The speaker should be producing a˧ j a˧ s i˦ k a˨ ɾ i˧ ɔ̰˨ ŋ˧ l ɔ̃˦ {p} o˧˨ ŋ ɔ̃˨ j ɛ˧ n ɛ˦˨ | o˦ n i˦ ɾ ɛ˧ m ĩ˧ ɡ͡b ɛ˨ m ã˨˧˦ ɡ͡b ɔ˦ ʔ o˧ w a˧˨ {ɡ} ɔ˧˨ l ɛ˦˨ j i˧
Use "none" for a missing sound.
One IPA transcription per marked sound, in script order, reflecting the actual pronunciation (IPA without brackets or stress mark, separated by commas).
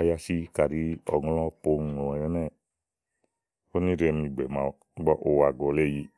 p, ɡ